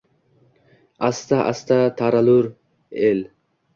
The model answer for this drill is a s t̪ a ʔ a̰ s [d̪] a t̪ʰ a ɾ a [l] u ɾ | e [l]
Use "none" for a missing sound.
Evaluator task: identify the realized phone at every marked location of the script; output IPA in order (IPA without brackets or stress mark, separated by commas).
t̪, l, l